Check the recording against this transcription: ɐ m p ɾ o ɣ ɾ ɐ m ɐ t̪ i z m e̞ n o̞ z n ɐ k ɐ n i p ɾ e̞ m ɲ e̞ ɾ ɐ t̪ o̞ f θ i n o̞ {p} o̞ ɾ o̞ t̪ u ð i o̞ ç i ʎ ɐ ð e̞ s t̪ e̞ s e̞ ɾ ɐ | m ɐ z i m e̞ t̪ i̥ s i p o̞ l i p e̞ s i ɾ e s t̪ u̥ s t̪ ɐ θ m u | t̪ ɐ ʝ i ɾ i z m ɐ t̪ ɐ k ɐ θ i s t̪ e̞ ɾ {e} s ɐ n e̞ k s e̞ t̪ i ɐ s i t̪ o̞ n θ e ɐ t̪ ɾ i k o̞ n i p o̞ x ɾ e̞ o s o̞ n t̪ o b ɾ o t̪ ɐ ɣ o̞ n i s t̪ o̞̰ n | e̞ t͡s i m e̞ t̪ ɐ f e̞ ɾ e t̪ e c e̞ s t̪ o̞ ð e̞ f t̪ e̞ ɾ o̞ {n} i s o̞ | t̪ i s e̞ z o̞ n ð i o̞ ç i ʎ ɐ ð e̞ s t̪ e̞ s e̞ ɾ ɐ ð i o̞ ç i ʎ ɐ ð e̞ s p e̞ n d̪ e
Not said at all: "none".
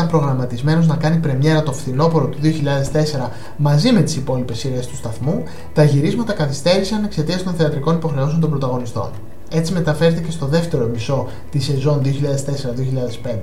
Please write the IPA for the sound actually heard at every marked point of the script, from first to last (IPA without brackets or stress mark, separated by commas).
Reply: p, i, m